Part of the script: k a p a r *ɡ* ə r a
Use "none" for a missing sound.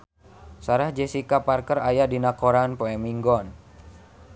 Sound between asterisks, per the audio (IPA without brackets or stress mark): k